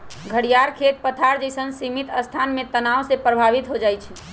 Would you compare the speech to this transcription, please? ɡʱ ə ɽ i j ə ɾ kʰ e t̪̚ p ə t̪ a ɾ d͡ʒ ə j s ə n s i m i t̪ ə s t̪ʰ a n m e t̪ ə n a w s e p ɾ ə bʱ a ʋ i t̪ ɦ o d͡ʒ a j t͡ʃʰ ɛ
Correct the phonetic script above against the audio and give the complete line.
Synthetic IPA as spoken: ɡʱ ə ɽ i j a ɾ kʰ e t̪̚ p ə t̪ʰ a ɾ d͡ʒ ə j s ə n s i m i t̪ ə s t̪ʰ a n m e t̪ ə n a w s e p ɾ ə bʱ a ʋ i t̪ ɦ o d͡ʒ a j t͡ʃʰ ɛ